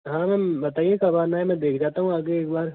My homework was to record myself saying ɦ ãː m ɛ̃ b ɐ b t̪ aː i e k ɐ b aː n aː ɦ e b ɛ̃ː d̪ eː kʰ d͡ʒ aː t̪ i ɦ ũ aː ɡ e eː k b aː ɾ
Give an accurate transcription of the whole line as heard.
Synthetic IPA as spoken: ɦ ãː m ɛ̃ b ɐ t̪ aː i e k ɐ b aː n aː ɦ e m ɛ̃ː d̪ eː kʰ d͡ʒ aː t̪ a ɦ ũ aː ɡ e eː k b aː ɾ